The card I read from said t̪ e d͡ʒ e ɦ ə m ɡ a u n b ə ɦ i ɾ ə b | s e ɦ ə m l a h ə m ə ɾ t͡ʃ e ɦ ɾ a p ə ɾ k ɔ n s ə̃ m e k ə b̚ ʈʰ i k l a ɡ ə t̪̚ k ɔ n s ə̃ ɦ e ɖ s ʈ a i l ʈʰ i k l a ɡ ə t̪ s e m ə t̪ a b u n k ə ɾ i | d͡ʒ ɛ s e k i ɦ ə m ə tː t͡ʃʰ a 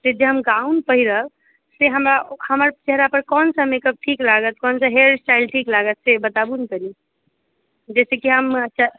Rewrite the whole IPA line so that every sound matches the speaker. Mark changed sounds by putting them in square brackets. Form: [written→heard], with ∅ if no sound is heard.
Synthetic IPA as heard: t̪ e d͡ʒ e ɦ ə m ɡ a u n [b→p] ə ɦ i ɾ ə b | s e ɦ ə m [l→ɾ] a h ə m ə ɾ t͡ʃ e ɦ ɾ a p ə ɾ k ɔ n s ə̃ m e k ə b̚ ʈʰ i k l a ɡ ə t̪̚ k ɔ n s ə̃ ɦ e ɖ s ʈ a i l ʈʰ i k l a ɡ ə t̪ s e [m→b] ə t̪ a b u n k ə ɾ i | d͡ʒ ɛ s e k i ɦ ə m ə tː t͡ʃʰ a